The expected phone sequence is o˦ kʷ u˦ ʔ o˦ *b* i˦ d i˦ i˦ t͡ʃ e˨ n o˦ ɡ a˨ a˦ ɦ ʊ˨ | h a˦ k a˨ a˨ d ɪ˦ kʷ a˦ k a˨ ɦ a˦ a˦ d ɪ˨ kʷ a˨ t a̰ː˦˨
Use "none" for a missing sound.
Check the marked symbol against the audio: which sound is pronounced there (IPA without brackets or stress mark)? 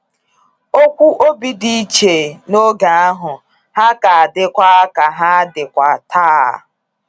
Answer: b